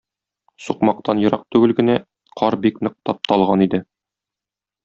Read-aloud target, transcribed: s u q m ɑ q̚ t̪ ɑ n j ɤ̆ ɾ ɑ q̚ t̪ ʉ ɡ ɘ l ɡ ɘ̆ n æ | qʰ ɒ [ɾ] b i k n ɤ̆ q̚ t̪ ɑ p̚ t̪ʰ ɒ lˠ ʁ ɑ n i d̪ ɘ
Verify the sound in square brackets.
correct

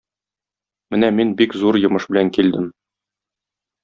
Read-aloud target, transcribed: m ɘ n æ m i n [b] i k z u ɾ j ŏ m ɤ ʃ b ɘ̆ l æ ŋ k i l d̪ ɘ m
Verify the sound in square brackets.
correct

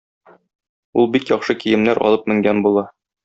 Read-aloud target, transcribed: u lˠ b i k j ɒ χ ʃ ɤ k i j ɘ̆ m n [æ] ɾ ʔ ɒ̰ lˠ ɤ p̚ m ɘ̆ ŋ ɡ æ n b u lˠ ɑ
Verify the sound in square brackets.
correct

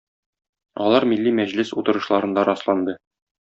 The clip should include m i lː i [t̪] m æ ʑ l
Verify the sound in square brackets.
incorrect: none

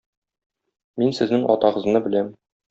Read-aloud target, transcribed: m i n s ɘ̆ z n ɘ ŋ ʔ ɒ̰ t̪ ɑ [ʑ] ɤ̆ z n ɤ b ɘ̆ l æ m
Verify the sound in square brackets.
incorrect: ʁ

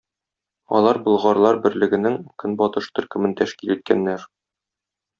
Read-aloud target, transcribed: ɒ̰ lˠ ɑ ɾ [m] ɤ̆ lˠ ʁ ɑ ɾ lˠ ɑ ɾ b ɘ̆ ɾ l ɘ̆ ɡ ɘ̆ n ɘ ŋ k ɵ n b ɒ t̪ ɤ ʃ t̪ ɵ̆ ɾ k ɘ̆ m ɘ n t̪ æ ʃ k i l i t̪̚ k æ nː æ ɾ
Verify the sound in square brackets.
incorrect: b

